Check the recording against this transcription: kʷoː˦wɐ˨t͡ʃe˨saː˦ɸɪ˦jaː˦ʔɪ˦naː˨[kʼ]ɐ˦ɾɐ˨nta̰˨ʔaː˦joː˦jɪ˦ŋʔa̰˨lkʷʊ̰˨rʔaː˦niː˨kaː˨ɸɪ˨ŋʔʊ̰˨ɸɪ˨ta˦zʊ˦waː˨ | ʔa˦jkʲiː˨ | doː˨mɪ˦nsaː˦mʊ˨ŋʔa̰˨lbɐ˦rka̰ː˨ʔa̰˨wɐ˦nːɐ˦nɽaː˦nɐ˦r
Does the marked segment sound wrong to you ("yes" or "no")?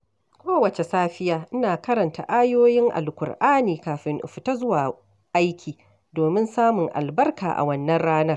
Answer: yes